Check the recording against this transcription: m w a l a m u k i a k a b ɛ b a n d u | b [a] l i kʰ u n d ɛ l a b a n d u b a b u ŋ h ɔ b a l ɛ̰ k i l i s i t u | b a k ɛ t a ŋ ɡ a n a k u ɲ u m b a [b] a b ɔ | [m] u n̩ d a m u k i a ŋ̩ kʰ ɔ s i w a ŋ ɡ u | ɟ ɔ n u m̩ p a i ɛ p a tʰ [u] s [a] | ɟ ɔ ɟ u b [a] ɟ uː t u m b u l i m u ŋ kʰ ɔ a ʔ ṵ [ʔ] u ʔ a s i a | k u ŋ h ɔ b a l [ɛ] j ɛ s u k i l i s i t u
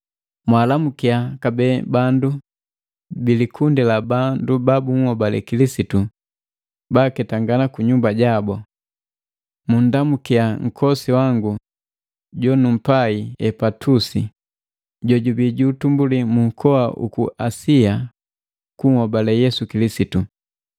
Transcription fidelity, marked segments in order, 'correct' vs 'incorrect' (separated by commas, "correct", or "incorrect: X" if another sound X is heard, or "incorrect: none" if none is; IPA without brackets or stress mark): incorrect: i, incorrect: ɟ, correct, correct, incorrect: i, incorrect: i, incorrect: k, correct